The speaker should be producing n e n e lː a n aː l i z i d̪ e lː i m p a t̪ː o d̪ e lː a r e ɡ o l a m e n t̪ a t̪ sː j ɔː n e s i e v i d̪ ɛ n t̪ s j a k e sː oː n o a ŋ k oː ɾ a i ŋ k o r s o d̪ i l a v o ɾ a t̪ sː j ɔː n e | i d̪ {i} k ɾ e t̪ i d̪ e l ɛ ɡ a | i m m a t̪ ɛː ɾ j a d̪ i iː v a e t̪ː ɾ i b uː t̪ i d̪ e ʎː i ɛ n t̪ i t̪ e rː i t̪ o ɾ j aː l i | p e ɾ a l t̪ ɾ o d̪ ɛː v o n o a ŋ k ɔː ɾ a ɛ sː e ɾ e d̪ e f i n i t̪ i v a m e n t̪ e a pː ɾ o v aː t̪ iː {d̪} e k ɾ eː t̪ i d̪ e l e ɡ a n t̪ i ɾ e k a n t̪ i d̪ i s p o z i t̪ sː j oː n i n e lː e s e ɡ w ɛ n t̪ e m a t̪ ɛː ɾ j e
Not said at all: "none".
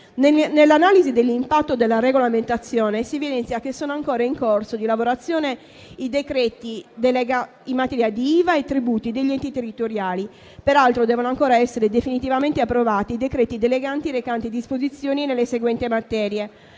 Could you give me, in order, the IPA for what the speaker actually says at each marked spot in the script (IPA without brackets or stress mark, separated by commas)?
e, d̪